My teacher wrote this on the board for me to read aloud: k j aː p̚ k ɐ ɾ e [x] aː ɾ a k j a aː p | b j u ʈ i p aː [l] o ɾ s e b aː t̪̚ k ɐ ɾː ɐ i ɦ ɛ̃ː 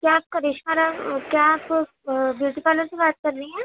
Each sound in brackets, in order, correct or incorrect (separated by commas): incorrect, correct